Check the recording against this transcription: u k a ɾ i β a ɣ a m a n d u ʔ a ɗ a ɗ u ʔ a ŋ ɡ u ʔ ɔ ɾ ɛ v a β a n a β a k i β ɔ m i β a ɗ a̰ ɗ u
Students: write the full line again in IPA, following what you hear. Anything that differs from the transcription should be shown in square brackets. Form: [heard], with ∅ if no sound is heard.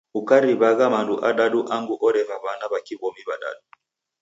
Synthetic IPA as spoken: u k a ɾ i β a ɣ a m a n d u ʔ a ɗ a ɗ u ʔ a ŋ ɡ u ʔ ɔ ɾ ɛ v a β a n a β a k i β ɔ m i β a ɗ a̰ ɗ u